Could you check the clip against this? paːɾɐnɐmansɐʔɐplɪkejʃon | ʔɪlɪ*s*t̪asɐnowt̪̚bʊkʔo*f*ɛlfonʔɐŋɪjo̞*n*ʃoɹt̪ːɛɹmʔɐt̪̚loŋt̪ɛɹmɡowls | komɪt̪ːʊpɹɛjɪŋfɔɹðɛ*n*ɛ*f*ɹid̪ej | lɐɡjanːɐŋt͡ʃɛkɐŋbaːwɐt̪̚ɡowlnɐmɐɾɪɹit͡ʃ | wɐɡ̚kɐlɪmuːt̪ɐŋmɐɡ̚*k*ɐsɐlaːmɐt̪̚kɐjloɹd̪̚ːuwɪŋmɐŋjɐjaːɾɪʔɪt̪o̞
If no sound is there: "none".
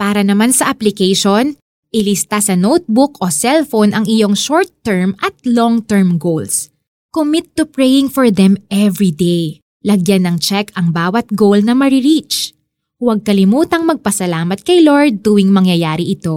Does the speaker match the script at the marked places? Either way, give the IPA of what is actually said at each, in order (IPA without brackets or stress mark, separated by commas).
s, s, ŋ, m, v, p